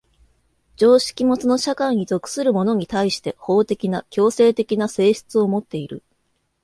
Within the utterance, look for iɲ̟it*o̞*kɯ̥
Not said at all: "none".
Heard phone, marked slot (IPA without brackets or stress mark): o̞